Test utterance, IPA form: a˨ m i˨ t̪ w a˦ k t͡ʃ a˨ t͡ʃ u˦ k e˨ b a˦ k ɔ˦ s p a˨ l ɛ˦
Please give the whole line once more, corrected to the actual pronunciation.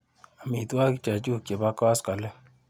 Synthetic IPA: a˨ m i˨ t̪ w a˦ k t͡ʃ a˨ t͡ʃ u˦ k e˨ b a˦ k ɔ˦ s k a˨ l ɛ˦